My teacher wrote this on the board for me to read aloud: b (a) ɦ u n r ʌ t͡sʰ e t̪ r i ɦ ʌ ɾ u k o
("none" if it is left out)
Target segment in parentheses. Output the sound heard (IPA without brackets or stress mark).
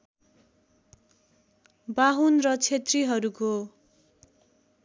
a